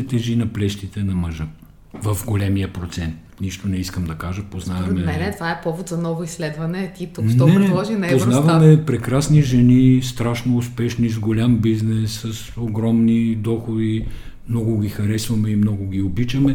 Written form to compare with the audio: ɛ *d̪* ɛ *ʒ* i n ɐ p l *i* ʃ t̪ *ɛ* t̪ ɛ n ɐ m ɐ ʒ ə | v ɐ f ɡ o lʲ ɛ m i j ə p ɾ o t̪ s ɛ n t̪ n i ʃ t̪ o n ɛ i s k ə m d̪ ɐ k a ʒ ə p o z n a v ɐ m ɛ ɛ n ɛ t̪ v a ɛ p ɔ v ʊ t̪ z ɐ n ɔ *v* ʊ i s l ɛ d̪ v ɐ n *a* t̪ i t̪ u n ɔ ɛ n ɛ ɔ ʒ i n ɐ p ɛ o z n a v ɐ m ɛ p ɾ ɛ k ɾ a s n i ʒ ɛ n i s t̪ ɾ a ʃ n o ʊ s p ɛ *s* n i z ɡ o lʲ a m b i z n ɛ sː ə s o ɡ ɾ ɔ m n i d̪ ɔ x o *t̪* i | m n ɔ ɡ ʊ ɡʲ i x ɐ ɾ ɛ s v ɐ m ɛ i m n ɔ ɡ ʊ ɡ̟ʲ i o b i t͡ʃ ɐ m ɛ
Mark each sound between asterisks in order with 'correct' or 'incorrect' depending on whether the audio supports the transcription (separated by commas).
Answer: incorrect, correct, incorrect, incorrect, correct, incorrect, incorrect, incorrect